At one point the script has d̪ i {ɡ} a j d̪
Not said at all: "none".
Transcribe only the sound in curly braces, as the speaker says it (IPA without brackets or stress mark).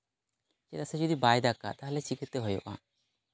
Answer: b